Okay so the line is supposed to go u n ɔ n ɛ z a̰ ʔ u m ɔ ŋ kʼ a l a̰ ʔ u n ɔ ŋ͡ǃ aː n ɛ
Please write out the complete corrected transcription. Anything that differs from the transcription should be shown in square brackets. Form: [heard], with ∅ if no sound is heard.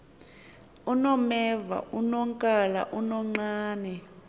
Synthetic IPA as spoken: u n ɔ [m] ɛ [v] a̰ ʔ u [n] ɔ ŋ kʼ a l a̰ ʔ u n ɔ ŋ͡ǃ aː n ɛ